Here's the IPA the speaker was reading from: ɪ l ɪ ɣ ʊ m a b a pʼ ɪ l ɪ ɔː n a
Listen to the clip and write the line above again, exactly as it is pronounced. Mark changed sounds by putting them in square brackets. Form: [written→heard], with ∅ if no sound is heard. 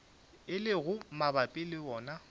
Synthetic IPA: ɪ l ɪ ɣ ʊ m a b a pʼ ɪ l ɪ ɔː n a